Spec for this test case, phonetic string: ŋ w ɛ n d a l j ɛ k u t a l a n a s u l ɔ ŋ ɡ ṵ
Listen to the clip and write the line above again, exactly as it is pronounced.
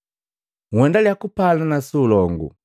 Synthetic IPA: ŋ w ɛ n d a l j a k u p a l a n a s u l ɔ ŋ ɡ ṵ